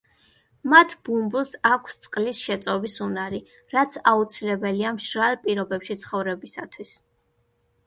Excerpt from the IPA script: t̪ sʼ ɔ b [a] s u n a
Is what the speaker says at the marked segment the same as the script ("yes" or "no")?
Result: no